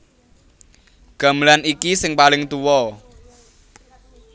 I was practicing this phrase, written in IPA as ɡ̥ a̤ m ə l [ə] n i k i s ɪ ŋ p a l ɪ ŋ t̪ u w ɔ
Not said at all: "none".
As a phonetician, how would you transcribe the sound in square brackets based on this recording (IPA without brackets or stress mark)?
a